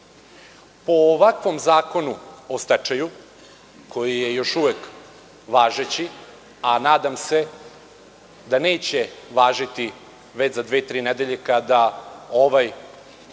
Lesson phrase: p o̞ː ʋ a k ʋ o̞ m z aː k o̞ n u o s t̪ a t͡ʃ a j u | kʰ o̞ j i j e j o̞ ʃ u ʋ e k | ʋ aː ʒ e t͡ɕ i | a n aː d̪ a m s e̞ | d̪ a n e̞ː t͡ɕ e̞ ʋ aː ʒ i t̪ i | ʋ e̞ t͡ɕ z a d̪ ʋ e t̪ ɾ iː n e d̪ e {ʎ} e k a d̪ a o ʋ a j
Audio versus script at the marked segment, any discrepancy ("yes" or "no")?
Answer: no